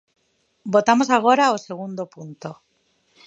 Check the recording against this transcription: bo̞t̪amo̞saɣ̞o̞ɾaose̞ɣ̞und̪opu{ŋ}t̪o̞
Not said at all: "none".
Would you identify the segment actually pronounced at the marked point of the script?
n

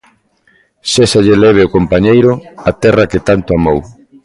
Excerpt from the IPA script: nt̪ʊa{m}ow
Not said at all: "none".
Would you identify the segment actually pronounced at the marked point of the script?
m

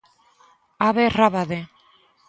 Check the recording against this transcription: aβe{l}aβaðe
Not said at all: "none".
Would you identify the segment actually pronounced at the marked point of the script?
r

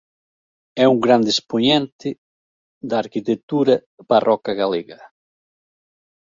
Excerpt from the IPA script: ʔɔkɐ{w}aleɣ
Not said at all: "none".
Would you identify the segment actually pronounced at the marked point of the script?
ɣ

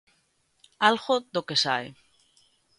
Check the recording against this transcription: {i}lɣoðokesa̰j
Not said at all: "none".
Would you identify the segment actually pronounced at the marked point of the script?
a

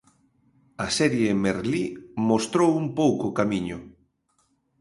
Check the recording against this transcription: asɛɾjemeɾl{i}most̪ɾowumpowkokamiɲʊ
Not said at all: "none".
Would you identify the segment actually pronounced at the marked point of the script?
i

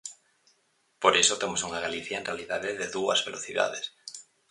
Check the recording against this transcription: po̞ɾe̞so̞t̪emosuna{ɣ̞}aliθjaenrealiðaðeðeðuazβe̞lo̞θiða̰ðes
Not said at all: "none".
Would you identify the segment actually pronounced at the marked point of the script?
ɣ̞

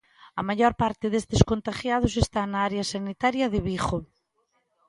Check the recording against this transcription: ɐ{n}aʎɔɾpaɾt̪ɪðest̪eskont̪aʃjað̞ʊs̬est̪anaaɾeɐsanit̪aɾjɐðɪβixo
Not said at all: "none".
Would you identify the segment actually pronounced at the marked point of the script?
m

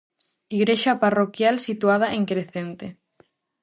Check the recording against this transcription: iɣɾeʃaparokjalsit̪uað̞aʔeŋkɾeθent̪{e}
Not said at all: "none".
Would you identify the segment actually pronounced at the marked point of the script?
e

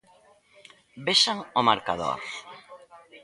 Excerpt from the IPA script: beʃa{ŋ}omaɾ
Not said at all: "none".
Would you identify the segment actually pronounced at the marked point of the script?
ŋ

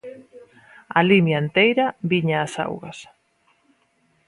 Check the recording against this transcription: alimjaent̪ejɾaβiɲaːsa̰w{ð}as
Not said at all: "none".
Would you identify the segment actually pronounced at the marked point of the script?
ɣ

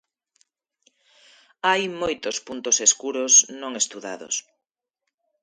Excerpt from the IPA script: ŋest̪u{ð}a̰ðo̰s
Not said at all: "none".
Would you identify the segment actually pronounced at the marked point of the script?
ð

